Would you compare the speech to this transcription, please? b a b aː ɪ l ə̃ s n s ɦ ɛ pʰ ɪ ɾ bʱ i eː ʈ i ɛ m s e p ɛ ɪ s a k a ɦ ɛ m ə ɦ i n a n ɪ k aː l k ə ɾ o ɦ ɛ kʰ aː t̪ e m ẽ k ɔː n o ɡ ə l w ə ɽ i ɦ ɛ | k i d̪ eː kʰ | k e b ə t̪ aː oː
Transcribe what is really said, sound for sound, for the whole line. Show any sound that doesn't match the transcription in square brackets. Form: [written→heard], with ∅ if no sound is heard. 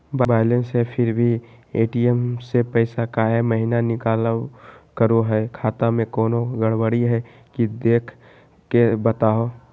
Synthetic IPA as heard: b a b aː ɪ l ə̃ [s→∅] n s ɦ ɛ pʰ ɪ ɾ bʱ i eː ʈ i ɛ m s e p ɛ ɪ s a k a ɦ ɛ m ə ɦ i n a n ɪ k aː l k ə ɾ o ɦ ɛ kʰ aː t̪ [e→a] m ẽ k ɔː n o ɡ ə [l→ɽ] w ə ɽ i ɦ ɛ | k i d̪ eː kʰ | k e b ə t̪ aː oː

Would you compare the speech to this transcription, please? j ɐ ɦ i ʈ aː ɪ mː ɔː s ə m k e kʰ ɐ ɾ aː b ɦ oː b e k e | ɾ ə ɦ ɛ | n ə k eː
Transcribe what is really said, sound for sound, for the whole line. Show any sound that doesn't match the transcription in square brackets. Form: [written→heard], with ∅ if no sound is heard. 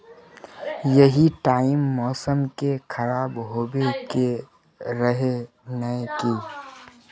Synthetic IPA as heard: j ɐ ɦ i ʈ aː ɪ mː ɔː s ə m k e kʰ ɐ ɾ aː b ɦ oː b e k e | ɾ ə ɦ [ɛ→e] | n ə k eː

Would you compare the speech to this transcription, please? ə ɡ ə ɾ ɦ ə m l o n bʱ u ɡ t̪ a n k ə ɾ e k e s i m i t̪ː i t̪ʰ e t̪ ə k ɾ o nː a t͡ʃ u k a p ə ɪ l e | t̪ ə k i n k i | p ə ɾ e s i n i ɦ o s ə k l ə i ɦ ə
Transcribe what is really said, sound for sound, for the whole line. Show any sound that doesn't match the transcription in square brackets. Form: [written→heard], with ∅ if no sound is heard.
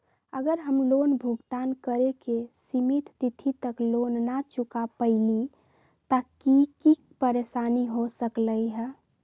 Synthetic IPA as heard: ə ɡ ə ɾ ɦ ə m l o n bʱ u ɡ t̪ a n k ə ɾ e k e s i m i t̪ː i t̪ʰ [e→i] t̪ ə k [ɾ→l] o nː a t͡ʃ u k a p ə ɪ l [e→i] | t̪ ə k i [n→∅] k i | p ə ɾ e s [i→a] n i ɦ o s ə k l ə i ɦ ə

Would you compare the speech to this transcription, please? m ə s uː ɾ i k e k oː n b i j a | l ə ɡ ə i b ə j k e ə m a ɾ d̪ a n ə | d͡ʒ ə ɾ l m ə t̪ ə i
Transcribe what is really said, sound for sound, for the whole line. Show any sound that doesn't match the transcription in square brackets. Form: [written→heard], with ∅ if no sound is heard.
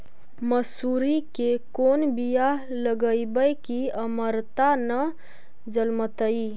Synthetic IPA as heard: m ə s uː ɾ i k e k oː n b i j a | l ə ɡ ə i b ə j k [e→i] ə m [a→ə] ɾ [d̪→t̪] a n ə | d͡ʒ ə [ɾ→∅] l m ə t̪ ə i

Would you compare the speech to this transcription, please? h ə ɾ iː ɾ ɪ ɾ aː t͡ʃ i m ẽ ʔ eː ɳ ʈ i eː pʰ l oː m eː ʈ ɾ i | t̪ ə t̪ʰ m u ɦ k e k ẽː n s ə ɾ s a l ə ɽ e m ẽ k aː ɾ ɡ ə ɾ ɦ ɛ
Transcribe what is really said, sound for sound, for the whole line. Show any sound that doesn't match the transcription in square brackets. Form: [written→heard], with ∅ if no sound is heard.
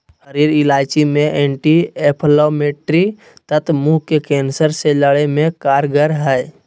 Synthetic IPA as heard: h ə ɾ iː ɾ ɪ [ɾ→l] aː t͡ʃ i m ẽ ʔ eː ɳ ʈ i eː pʰ l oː m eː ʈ ɾ i | t̪ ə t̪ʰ m u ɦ k e k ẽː n s ə ɾ s [a→e] l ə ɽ e m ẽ k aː ɾ ɡ ə ɾ ɦ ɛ

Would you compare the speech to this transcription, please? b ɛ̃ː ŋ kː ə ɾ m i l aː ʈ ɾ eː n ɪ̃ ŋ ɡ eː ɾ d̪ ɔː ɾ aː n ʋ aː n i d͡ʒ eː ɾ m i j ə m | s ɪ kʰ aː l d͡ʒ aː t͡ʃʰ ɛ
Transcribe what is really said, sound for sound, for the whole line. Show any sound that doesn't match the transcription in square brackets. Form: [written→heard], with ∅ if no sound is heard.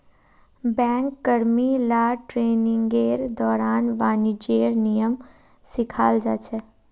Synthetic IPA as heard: b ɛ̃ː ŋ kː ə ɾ m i l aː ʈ ɾ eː n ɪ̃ ŋ ɡ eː ɾ d̪ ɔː ɾ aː n ʋ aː n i d͡ʒ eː ɾ [m→n] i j ə m | s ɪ kʰ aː l d͡ʒ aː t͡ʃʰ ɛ

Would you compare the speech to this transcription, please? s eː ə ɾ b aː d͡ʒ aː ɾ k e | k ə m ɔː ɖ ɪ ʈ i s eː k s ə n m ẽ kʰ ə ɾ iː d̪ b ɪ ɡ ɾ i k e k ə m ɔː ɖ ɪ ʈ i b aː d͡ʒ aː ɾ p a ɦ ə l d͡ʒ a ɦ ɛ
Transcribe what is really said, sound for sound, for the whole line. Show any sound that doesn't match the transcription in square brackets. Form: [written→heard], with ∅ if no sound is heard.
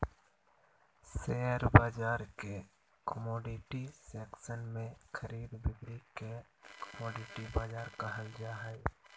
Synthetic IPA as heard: s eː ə ɾ b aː d͡ʒ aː ɾ k e | k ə m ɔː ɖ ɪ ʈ i s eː k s ə n m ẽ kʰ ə ɾ iː d̪ b ɪ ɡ ɾ i k e k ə m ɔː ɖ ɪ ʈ i b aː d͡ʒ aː ɾ [p→k] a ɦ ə l d͡ʒ a ɦ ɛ

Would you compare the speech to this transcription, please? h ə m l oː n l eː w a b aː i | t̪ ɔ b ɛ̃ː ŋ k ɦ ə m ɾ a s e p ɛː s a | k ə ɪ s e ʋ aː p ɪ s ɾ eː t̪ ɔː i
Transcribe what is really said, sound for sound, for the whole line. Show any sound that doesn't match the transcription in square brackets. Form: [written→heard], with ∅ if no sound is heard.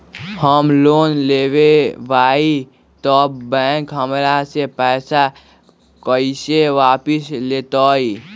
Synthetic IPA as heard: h ə m l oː n l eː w [a→e] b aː i | t̪ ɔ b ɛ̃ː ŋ k ɦ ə m ɾ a s e p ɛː s a | k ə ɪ s e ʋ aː p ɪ s [ɾ→l] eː t̪ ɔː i

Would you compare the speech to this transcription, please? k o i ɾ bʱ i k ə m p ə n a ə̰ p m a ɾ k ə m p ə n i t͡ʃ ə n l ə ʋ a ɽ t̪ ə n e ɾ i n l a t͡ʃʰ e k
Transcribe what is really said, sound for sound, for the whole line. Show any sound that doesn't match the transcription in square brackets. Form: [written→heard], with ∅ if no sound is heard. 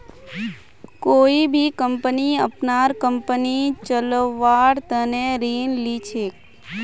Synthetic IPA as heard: k o i [ɾ→∅] bʱ i k ə m p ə n [a→i] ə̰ p [m→n] a ɾ k ə m p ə n i t͡ʃ ə [n→∅] l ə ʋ a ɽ t̪ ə n e ɾ i n l [a→i] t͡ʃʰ e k

